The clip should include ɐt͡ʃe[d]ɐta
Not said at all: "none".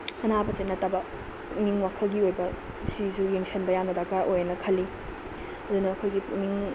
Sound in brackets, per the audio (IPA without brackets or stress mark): n